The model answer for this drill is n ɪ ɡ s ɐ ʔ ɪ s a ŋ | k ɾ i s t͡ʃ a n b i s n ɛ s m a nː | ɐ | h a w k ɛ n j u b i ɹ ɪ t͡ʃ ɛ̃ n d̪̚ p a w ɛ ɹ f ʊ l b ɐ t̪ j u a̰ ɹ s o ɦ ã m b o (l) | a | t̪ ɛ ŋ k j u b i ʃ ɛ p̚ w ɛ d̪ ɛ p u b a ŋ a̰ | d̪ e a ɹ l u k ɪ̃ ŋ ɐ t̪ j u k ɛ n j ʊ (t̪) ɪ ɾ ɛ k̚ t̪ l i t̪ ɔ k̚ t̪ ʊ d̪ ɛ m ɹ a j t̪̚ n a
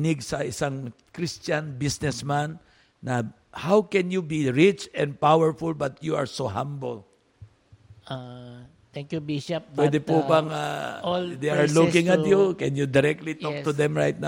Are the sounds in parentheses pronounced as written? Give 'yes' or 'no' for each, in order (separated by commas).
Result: yes, no